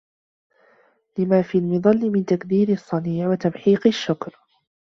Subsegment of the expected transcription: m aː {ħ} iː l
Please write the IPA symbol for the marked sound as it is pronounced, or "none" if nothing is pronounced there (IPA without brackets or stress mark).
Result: f